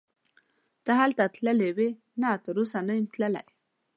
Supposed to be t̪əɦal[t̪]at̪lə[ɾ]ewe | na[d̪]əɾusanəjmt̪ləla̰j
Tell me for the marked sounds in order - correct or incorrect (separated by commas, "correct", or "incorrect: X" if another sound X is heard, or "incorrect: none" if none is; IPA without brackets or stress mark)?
correct, incorrect: l, incorrect: t̪